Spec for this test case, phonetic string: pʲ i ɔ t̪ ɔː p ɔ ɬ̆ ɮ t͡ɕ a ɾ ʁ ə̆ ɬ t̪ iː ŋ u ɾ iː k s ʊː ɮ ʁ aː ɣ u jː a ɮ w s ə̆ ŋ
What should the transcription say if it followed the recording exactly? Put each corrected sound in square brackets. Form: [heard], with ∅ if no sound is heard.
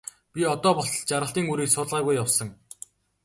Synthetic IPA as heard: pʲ i ɔ t̪ ɔː p ɔ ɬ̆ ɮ t͡ɕ a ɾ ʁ ə̆ ɬ t̪ iː ŋ u ɾ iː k s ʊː ɮ ʁ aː ɣ u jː a [∅] w s ə̆ ŋ